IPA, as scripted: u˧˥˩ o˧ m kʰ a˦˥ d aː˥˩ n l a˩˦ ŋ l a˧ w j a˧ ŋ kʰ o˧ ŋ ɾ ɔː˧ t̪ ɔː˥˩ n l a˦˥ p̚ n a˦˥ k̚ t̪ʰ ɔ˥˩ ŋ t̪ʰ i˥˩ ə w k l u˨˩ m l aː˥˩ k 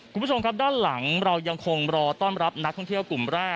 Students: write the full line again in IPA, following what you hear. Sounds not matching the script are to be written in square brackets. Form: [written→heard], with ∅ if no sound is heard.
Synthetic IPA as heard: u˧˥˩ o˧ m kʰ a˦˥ d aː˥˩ n l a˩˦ ŋ [l→ɾ] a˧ w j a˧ ŋ kʰ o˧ ŋ ɾ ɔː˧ t̪ ɔː˥˩ n [l→ɾ] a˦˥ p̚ n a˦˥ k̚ t̪ʰ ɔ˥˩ ŋ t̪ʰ i˥˩ ə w k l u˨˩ m [l→ɾ] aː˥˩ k